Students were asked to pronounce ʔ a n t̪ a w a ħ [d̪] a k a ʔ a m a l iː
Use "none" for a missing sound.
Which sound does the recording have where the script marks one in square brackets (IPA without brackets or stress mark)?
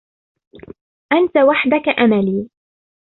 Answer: d̪